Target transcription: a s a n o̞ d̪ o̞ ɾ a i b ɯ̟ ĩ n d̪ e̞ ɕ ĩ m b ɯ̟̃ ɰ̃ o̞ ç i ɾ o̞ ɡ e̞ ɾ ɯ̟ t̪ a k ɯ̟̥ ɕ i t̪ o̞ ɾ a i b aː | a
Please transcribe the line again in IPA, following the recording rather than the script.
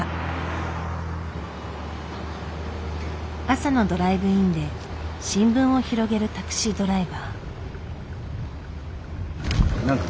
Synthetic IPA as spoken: a s a n o̞ d̪ o̞ ɾ a i b ɯ̟ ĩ n d̪ e̞ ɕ ĩ m b ɯ̟̃ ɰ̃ o̞ ç i ɾ o̞ ɡ e̞ ɾ ɯ̟ t̪ a k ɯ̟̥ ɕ i d̪ o̞ ɾ a i b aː | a